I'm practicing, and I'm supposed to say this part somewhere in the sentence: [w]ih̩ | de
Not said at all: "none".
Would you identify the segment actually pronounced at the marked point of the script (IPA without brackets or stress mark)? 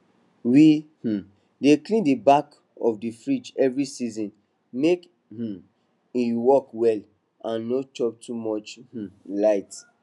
w